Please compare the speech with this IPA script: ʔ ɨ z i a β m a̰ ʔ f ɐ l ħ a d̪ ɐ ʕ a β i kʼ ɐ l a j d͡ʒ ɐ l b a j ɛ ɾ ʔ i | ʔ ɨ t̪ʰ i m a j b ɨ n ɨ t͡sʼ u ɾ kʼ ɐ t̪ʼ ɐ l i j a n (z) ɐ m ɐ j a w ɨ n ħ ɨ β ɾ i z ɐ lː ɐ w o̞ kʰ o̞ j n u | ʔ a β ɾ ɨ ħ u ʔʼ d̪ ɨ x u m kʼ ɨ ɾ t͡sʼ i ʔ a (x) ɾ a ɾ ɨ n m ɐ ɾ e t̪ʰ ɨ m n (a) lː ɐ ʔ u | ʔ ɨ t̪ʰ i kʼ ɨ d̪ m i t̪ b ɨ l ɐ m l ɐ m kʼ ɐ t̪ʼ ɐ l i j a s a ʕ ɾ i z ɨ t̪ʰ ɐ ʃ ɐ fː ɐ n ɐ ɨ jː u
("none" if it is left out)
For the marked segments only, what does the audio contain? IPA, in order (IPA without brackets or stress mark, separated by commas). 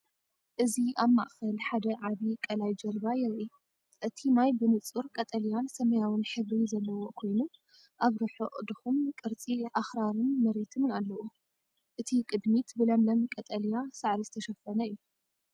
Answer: s, x, a